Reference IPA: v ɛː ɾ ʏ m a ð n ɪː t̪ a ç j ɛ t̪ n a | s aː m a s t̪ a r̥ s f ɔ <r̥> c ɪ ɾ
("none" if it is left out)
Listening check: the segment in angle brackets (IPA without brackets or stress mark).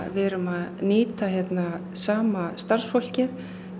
l̥